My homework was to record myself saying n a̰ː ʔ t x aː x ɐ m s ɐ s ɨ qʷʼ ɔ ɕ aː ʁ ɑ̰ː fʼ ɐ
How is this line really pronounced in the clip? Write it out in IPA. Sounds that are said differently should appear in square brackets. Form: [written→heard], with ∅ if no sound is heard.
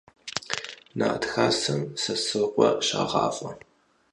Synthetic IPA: n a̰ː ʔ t x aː [x→s] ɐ m s ɐ s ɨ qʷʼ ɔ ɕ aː ʁ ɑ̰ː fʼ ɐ